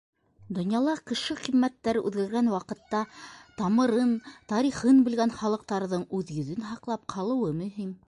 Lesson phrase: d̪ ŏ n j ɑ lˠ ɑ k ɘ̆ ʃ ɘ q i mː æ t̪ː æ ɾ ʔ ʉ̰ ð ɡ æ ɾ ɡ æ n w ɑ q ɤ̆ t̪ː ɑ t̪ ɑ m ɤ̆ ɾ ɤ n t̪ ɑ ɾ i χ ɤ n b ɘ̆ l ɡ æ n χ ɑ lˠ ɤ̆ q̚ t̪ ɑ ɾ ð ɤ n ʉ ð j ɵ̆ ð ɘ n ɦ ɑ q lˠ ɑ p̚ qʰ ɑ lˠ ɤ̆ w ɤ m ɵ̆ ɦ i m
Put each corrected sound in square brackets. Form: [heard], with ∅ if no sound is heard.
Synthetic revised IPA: d̪ ŏ n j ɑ lˠ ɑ k ɘ̆ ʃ ɘ q i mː æ t̪ː æ ɾ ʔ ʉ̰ ð ɡ æ ɾ ɡ æ n w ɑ q ɤ̆ t̪ː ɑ t̪ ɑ m ɤ̆ ɾ ɤ n t̪ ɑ ɾ i χ ɤ n b ɘ̆ l ɡ æ n χ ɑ lˠ ɤ̆ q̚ t̪ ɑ ɾ ð ɤ [ɴ] ʉ ð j ɵ̆ ð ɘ n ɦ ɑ q lˠ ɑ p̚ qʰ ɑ lˠ ɤ̆ w ɤ m ɵ̆ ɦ i m